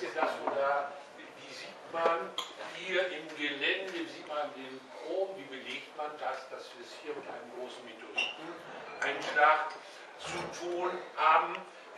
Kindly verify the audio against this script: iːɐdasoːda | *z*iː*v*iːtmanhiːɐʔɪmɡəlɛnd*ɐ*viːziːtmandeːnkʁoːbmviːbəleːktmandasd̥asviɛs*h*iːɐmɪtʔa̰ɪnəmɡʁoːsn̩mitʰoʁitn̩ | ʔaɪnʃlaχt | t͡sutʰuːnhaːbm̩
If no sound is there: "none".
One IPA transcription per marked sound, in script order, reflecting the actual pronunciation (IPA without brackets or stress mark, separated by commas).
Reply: v, z, ə, h